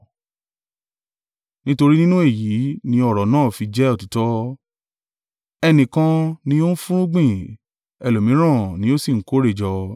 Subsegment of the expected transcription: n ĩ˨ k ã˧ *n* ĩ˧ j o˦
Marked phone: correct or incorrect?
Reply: correct